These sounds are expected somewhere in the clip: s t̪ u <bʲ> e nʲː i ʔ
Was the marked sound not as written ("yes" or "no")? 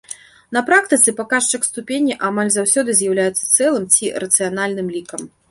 yes